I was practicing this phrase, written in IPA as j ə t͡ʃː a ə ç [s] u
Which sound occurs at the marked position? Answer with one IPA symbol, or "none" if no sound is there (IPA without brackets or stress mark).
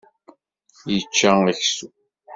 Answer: s